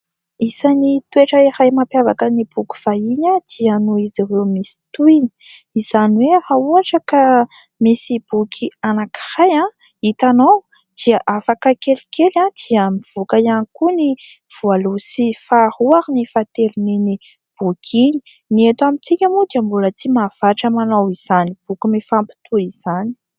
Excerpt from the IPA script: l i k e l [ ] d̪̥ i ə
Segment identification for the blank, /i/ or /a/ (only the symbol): a